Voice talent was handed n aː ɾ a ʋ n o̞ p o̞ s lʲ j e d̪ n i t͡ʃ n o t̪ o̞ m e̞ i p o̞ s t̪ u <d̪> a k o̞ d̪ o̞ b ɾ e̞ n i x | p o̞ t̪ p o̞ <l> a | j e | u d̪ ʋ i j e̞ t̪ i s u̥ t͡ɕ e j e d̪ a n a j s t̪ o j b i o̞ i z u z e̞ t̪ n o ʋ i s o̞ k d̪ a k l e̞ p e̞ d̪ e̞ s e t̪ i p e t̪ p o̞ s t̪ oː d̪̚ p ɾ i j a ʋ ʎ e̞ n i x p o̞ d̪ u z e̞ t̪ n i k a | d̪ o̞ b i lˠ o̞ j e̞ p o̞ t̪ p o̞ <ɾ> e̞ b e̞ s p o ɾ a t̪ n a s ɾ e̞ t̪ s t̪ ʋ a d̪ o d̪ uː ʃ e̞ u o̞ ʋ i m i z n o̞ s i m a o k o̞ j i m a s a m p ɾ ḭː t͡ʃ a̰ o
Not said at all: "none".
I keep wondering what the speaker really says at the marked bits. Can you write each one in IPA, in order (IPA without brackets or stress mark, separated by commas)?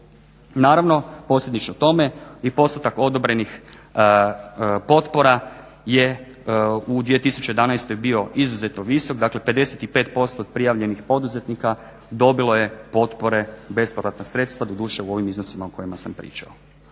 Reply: t̪, ɾ, ɾ